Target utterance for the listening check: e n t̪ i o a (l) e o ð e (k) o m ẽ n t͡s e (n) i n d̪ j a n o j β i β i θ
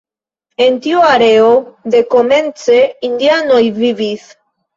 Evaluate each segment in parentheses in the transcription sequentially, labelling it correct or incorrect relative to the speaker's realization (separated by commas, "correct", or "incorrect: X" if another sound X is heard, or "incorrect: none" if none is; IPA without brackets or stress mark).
incorrect: ɾ, correct, incorrect: none